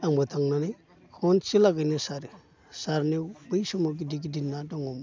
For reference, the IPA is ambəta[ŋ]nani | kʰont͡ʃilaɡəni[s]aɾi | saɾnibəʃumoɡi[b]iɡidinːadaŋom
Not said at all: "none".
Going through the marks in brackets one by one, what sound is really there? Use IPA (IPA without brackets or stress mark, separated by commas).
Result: ŋ, s, d